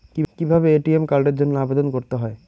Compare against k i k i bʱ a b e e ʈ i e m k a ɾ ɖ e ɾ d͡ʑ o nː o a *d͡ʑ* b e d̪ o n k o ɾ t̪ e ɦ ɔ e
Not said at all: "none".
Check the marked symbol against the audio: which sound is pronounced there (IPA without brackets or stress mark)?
none